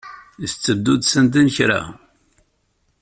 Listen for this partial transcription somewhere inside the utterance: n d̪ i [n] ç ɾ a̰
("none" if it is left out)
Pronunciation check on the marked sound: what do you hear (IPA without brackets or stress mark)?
n